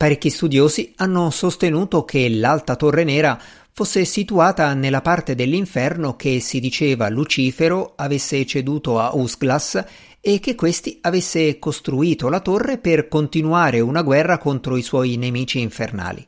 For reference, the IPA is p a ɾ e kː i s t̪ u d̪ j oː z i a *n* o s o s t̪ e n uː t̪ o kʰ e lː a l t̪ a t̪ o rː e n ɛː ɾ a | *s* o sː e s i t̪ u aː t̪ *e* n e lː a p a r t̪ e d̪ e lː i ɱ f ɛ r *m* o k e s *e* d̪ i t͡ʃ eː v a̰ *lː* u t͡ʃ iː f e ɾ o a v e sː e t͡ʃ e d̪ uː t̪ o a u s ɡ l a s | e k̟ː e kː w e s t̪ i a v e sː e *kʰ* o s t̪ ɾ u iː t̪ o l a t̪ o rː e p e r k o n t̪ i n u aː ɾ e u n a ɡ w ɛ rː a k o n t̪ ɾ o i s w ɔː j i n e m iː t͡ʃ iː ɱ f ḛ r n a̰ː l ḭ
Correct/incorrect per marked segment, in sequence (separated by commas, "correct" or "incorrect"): incorrect, incorrect, incorrect, incorrect, incorrect, incorrect, incorrect